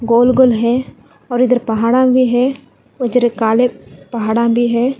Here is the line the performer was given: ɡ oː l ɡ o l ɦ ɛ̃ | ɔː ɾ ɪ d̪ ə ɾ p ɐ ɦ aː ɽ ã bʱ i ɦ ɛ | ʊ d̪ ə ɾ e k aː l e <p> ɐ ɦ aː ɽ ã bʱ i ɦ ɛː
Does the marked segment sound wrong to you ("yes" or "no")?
no